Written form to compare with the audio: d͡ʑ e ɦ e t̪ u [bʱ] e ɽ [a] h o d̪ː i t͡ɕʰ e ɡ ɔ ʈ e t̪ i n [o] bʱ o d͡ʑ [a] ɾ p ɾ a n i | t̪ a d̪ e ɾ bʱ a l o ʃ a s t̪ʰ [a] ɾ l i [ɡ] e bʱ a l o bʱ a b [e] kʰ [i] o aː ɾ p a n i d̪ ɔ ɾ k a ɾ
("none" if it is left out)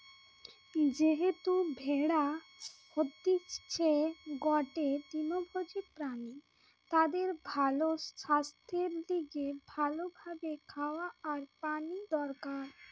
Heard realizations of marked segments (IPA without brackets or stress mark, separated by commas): bʱ, a, o, i, e, ɡ, e, a